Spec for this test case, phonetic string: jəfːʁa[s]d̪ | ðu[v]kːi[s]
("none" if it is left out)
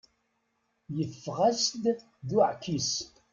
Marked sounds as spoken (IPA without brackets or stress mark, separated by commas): s, ʕ, s